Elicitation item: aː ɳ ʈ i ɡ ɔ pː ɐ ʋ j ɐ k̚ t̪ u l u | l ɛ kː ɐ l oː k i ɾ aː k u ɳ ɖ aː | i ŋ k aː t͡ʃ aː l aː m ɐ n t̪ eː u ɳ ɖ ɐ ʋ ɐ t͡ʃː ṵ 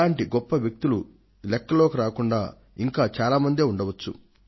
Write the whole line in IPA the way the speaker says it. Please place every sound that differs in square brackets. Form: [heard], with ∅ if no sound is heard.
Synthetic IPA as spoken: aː ɳ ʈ i ɡ ɔ pː ɐ ʋ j ɐ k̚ t̪ u l u | l ɛ kː ɐ l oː k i ɾ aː k u ɳ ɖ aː | i ŋ k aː t͡ʃ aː l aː m ɐ n [d̪] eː u ɳ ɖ ɐ ʋ ɐ t͡ʃː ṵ